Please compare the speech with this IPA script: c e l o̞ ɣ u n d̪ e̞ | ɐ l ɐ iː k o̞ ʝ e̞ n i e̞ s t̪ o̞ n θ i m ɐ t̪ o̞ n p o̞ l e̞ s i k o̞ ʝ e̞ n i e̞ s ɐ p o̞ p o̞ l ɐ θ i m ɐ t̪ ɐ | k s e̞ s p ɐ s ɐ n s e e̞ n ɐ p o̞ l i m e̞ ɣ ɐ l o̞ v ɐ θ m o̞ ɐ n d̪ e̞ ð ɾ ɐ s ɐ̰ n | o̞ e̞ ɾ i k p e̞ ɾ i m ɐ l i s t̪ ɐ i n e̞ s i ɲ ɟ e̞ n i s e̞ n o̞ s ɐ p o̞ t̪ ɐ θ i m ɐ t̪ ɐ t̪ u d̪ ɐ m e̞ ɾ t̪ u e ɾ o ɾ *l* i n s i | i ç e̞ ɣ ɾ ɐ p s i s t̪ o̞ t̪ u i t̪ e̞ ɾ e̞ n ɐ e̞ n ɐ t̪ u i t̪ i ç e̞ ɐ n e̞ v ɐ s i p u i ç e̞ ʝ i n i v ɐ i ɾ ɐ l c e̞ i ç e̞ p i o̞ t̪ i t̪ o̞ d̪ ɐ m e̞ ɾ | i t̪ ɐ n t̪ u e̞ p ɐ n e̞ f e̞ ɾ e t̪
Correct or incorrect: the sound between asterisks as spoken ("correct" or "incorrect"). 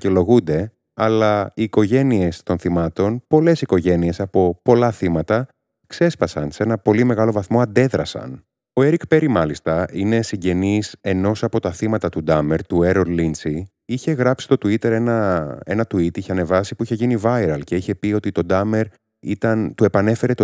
correct